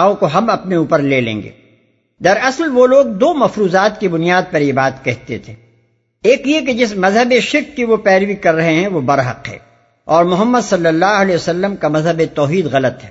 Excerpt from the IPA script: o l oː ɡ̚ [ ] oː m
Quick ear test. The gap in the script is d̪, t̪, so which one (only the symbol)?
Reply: d̪